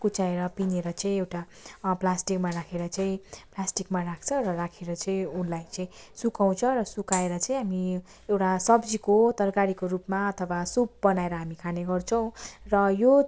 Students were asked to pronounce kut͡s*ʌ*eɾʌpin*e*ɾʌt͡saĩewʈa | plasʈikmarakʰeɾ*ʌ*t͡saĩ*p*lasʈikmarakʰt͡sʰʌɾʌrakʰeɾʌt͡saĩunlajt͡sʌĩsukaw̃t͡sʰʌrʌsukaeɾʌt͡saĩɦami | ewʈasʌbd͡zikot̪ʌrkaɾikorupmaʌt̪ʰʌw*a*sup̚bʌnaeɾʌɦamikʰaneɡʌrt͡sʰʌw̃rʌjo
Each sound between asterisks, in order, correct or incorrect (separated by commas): incorrect, correct, correct, correct, correct